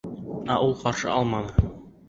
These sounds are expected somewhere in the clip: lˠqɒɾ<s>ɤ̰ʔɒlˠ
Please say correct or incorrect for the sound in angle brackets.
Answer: incorrect